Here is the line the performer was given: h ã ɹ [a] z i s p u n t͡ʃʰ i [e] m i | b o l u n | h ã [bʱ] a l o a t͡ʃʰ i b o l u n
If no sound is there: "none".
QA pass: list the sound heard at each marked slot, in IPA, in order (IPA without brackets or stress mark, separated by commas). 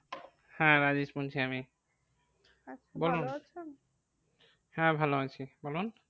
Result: a, a, bʱ